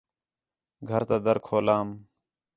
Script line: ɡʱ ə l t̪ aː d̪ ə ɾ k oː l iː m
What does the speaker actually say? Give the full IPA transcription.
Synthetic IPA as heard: ɡʱ ə ɾ t̪ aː d̪ ə ɾ kʰ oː l aː m